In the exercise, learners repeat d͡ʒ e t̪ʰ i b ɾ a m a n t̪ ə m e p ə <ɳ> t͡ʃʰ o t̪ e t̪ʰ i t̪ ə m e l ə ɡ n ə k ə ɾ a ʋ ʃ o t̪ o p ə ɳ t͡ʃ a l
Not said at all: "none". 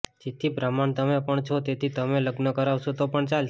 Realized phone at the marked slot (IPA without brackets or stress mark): ɳ